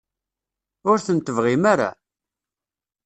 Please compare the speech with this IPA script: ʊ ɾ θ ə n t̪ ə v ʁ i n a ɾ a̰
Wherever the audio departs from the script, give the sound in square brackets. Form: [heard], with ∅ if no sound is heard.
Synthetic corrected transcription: ʊ ɾ θ ə n t̪ ə v ʁ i [m] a ɾ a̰